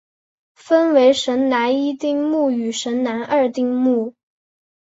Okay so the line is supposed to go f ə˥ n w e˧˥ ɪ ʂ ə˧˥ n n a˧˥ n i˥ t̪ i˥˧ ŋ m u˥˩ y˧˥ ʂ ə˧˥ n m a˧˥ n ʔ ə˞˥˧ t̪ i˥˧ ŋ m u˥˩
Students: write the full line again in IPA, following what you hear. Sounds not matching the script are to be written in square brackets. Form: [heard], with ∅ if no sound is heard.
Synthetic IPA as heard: f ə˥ n w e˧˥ ɪ ʂ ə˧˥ n n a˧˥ n i˥ t̪ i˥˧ ŋ m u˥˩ [y˨˩] ʂ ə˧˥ n [n] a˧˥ n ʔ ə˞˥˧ t̪ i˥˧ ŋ m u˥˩